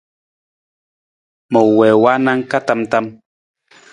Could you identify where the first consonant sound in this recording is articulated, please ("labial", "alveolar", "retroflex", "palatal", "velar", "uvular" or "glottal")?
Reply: labial